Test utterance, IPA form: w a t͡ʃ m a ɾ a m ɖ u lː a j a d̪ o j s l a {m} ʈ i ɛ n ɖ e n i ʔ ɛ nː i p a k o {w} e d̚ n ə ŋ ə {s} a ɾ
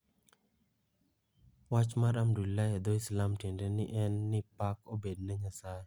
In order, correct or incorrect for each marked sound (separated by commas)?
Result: correct, incorrect, correct